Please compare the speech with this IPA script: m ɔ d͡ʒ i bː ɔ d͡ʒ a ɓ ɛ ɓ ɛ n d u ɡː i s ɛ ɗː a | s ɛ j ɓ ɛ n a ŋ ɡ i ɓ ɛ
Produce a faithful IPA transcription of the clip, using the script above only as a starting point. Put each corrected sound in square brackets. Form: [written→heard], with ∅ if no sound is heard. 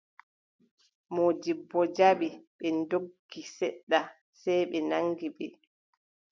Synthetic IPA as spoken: m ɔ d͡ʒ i bː ɔ d͡ʒ a ɓ [ɛ→i] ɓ ɛ n d [u→o] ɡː i s ɛ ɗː a | s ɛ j ɓ ɛ n a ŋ ɡ i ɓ ɛ